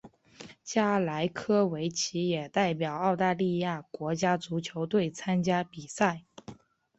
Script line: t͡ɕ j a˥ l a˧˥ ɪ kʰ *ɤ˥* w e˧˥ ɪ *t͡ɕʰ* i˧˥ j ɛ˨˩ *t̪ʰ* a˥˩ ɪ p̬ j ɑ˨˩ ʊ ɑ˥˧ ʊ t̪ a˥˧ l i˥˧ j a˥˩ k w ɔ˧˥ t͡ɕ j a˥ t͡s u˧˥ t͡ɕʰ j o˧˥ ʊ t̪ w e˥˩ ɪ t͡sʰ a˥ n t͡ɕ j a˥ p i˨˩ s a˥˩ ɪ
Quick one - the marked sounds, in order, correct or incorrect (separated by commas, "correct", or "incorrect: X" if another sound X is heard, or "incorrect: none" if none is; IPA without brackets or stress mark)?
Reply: correct, correct, incorrect: t̪